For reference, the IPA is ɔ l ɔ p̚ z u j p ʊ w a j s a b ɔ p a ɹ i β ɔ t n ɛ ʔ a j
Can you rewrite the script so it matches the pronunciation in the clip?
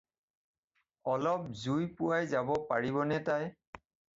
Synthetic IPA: ɔ l ɔ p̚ z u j p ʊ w a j z a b ɔ p a ɹ i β ɔ n ɛ t a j